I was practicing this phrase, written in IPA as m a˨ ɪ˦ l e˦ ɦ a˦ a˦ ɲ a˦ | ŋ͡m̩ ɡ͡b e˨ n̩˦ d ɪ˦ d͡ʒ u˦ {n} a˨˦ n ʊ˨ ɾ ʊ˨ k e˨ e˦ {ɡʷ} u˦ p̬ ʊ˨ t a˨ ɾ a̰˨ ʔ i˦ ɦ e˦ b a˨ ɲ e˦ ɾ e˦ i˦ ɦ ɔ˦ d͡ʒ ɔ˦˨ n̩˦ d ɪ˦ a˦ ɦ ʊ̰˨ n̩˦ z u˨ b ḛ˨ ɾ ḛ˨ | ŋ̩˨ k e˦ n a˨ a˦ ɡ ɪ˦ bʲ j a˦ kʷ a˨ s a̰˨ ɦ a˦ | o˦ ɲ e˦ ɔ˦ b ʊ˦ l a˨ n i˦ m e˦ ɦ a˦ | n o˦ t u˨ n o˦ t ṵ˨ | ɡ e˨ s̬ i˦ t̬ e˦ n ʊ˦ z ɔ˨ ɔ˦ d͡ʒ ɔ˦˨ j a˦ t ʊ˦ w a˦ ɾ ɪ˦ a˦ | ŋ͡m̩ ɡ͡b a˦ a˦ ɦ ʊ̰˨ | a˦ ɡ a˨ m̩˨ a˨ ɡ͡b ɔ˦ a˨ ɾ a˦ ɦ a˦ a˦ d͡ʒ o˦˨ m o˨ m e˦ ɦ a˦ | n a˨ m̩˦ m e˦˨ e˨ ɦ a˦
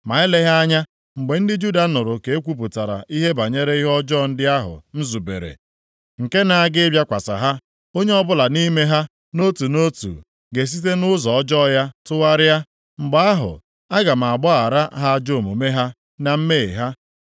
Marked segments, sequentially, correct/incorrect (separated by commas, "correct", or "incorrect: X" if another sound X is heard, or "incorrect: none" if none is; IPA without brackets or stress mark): incorrect: d, incorrect: kʷ